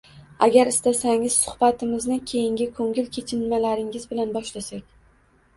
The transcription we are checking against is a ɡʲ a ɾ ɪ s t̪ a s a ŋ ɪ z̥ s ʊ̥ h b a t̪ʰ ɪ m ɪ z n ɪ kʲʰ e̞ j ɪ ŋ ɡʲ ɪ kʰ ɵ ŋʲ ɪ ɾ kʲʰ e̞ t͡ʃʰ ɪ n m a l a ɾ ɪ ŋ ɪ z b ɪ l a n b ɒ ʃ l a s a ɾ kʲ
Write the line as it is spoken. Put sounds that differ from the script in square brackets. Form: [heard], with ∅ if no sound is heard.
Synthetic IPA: a ɡʲ a ɾ ɪ s t̪ a s a ŋ ɪ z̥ s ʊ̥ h b a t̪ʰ ɪ m ɪ z n ɪ kʲʰ e̞ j ɪ ŋ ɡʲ ɪ kʰ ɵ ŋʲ ɪ [l] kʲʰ e̞ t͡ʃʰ ɪ n m a l a ɾ ɪ ŋ ɪ z b ɪ l a n b ɒ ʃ l a s a [∅] kʲ